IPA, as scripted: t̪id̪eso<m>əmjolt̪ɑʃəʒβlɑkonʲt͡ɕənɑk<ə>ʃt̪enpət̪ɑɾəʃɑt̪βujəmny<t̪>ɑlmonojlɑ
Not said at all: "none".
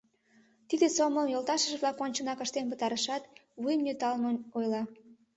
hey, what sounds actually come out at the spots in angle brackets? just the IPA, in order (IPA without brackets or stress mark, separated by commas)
m, ə, t̪